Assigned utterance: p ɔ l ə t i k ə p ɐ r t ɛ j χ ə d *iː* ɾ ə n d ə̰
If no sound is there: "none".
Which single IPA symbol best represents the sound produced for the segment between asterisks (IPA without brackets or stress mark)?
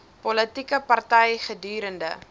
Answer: yː